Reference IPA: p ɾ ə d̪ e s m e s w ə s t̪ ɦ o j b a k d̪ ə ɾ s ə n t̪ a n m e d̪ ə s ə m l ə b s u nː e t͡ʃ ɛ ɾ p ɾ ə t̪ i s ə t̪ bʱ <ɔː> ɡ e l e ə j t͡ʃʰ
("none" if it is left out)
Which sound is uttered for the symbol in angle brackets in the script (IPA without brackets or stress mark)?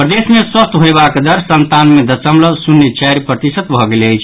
ɔ